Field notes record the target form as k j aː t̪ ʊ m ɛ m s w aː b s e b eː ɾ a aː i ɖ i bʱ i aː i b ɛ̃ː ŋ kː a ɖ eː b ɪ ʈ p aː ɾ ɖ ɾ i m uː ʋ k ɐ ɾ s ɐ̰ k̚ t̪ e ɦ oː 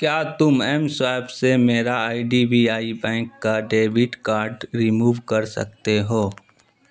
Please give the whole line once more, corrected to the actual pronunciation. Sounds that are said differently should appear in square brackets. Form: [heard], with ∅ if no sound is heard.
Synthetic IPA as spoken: k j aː t̪ ʊ m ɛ m s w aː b s e [m] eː ɾ a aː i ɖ i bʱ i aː i b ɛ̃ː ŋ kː a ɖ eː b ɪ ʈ [k] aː ɾ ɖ ɾ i m uː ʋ k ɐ ɾ s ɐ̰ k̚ t̪ e ɦ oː